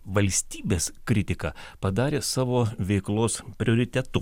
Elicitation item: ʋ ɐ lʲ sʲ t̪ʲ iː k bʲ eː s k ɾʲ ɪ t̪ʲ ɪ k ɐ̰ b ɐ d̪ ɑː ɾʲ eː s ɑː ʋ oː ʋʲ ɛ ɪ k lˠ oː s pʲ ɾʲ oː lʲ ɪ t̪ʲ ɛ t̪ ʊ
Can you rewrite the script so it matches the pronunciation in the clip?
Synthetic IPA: ʋ ɐ lʲ sʲ t̪ʲ iː bʲ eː s k ɾʲ ɪ t̪ʲ ɪ k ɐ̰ p ɐ d̪ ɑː ɾʲ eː s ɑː ʋ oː ʋʲ ɛ ɪ k lˠ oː s pʲ ɾʲ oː ɾʲ ɪ t̪ʲ ɛ t̪ ʊ